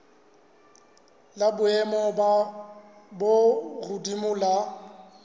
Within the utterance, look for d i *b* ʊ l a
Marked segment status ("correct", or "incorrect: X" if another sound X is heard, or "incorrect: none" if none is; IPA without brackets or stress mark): incorrect: m